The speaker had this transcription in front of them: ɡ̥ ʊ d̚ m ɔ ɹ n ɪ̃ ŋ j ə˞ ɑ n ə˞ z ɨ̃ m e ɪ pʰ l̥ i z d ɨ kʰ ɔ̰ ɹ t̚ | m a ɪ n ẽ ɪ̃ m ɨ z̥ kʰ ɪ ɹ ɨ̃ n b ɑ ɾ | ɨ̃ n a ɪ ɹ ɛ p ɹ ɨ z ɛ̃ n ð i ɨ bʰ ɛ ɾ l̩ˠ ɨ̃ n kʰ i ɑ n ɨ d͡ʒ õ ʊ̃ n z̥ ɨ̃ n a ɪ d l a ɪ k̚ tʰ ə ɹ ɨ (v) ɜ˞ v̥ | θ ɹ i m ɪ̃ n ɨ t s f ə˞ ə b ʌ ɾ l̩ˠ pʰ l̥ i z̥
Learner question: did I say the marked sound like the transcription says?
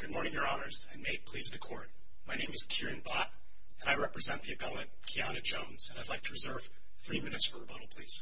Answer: no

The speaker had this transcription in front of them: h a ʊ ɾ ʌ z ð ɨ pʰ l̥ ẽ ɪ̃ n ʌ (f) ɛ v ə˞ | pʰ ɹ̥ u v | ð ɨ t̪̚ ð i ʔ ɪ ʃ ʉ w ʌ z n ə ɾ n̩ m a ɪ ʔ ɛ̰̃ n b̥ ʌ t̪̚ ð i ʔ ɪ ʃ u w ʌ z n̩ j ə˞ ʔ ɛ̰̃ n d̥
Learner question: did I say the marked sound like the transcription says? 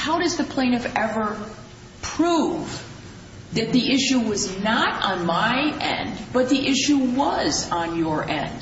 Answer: no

